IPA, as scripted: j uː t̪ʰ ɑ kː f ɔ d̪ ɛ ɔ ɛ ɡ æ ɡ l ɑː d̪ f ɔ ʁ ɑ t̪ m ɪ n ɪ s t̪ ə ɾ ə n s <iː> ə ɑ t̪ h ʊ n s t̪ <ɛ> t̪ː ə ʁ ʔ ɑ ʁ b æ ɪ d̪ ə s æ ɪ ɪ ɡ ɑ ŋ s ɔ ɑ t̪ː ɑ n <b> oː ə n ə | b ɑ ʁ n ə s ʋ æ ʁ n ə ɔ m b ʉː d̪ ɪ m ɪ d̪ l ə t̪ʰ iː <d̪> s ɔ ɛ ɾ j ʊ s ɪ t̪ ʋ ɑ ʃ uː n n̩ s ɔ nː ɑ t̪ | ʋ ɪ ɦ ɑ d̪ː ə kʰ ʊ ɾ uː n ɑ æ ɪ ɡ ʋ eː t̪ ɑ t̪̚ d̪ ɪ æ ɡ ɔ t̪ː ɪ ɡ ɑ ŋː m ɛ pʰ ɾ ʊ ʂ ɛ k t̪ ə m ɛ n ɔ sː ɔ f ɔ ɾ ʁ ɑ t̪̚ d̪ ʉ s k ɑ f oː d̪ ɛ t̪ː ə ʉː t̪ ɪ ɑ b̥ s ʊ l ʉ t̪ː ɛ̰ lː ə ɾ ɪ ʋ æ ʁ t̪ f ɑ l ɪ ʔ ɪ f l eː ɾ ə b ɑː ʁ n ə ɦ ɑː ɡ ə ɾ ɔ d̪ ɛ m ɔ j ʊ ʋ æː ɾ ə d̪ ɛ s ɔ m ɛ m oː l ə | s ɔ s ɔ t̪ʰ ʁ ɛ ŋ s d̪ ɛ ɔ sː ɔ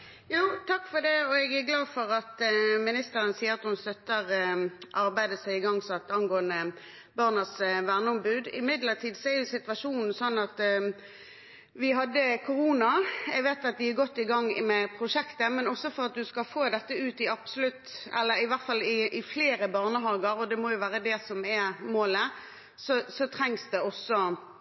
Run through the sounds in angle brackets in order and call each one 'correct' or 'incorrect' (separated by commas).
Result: correct, incorrect, incorrect, correct